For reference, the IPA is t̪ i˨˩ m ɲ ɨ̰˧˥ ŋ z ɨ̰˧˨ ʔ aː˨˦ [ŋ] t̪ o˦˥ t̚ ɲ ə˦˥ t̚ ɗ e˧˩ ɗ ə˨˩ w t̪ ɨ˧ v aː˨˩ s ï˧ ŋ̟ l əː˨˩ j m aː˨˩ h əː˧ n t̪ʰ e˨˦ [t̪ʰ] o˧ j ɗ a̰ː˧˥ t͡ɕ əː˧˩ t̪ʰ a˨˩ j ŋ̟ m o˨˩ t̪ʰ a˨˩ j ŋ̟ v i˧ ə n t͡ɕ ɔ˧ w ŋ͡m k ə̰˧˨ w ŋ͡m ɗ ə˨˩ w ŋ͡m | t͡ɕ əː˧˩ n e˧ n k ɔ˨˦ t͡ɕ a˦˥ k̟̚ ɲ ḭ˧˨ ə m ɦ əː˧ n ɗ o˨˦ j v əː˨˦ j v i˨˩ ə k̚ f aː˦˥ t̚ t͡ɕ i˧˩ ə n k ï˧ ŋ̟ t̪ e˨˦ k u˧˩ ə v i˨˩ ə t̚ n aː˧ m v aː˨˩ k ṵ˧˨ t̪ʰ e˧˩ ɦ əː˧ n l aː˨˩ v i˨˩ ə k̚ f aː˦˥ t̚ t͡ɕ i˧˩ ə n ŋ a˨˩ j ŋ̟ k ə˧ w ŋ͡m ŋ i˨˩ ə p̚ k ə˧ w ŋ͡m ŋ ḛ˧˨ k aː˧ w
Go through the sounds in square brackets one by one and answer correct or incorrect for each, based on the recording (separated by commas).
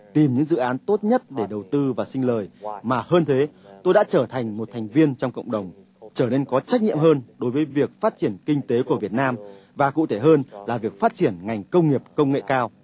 incorrect, incorrect